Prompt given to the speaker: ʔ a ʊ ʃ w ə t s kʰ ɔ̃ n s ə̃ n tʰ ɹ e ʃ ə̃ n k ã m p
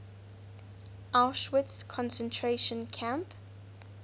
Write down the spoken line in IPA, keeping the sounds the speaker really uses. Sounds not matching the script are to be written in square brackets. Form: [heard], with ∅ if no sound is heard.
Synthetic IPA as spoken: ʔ a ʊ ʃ w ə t s kʰ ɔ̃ n s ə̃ n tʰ ɹ e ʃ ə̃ n [kʰ] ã m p